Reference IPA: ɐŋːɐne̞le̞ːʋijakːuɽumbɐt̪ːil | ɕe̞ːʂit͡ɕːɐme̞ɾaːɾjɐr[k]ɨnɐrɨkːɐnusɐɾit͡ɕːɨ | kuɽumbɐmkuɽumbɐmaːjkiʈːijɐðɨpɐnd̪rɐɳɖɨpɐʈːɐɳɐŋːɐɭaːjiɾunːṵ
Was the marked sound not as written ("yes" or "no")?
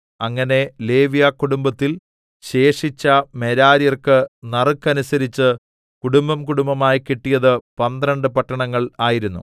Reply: no